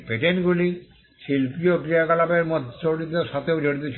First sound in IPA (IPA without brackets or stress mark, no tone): p